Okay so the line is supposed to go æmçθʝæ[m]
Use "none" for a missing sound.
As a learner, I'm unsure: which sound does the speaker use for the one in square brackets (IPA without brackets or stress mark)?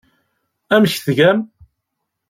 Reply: m